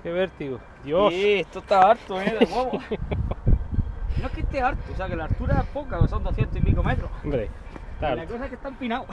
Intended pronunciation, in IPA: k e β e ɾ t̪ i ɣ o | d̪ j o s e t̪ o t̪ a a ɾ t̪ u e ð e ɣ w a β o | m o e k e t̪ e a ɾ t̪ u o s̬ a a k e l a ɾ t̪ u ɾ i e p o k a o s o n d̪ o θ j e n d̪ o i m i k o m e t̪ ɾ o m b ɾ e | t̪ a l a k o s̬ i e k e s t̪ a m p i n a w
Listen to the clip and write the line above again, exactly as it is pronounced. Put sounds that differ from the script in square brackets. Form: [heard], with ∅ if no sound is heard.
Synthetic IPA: k e β e ɾ t̪ i ɣ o | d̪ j o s e t̪ o t̪ a a ɾ t̪ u e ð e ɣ w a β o | [n] o e k e t̪ e a ɾ t̪ u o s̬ [e] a k e l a ɾ t̪ u ɾ [a] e p o k a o s o n d̪ o θ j e n [t̪] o i m i k o m e t̪ ɾ o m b ɾ e | t̪ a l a k o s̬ [a] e k e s t̪ a m p i n a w